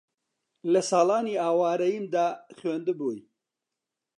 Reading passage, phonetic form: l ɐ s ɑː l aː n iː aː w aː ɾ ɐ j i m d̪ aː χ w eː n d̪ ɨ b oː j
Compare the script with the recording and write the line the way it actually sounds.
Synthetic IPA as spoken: l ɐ s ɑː l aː n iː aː w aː ɾ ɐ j i m d̪ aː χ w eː n d̪ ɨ b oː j

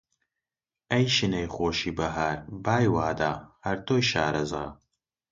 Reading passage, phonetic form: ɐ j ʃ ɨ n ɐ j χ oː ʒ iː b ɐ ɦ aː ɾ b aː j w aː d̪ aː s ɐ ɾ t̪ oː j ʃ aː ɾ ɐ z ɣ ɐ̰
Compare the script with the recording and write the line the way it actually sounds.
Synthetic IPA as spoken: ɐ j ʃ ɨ n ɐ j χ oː ʃ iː b ɐ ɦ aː ɾ b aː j w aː d̪ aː h ɐ ɾ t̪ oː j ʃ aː ɾ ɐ z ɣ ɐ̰

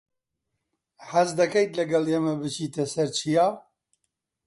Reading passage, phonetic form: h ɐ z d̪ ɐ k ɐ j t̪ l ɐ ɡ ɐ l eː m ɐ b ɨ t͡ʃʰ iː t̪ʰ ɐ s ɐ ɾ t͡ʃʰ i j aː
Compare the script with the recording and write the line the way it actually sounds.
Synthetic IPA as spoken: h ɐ z d̪ ɐ k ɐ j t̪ l ɐ ɡ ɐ l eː m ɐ b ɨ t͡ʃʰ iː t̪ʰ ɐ s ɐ ɾ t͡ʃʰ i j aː

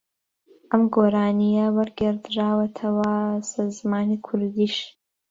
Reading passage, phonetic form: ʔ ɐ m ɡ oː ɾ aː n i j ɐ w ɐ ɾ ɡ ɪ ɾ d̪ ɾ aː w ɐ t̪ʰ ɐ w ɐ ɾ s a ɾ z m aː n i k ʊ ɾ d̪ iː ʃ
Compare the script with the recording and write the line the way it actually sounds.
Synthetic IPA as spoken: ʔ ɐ m ɡ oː ɾ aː n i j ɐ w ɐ ɾ ɡ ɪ ɾ d̪ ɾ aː w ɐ t̪ʰ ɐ w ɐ s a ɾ z m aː n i kʰ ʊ ɾ d̪ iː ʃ

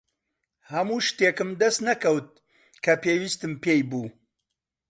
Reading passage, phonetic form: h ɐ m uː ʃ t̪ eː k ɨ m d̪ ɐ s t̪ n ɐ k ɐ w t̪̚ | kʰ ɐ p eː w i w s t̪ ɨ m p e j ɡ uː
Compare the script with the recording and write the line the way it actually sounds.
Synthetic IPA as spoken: h ɐ m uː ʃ t̪ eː k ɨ m d̪ ɐ s t̪ n ɐ k ɐ w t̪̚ | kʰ ɐ p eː w i s t̪ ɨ m p e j b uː

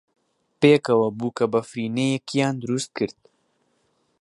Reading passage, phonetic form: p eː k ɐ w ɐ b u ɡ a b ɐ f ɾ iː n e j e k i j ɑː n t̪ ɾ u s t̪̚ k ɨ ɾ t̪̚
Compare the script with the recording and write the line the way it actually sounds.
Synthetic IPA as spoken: p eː k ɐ w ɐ b u k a b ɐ f ɾ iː n e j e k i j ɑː n d̪ ɾ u s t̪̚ k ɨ ɾ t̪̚

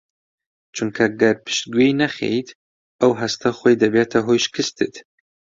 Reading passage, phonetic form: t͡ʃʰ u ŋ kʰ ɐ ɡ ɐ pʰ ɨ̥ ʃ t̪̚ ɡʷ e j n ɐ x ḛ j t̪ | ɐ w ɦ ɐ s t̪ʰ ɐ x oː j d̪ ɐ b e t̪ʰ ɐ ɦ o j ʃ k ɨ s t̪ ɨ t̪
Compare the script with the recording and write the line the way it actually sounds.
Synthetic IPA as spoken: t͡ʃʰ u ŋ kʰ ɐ ɡ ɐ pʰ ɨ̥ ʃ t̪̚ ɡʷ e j n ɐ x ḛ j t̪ | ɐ w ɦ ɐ s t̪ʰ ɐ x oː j d̪ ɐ b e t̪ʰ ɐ ɦ o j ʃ k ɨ s t̪ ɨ t̪

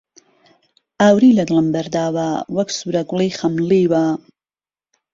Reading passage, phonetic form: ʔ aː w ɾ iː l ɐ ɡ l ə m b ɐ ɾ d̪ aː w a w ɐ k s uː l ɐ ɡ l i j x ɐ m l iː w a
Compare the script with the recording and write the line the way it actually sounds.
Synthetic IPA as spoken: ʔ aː w ɾ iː l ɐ ɡ l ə m b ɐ ɾ d̪ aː w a w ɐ k s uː ɾ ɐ ɡ l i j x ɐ m l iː w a

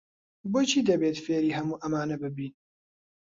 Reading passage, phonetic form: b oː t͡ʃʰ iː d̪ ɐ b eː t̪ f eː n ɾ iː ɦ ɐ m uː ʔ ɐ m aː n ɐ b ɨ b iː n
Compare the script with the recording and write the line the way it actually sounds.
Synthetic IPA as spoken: b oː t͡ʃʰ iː d̪ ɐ b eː t̪ f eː ɾ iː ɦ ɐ m uː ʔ ɐ m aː n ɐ b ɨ b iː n

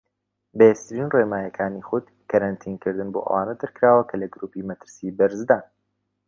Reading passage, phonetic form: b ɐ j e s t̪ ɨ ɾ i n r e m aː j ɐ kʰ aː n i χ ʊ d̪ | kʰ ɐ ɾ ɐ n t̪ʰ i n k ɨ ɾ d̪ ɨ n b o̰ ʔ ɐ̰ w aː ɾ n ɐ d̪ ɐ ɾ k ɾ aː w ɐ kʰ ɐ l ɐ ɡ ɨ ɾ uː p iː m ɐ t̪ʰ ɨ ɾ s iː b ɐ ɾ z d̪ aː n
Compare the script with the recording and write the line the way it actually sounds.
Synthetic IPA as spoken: b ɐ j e s t̪ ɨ ɾ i n r e m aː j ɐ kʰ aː n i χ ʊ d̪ | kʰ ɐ ɾ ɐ n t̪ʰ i n k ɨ ɾ d̪ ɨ n b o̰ ʔ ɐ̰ w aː n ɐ d̪ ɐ ɾ k ɾ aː w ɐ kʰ ɐ l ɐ ɡ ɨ ɾ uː p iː m ɐ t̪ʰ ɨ ɾ s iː b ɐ ɾ z d̪ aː n

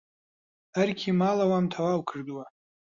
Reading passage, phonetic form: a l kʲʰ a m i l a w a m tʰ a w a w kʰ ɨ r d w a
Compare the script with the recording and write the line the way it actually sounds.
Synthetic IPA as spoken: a r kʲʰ i m a l a w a m tʰ a w a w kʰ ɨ r d w a

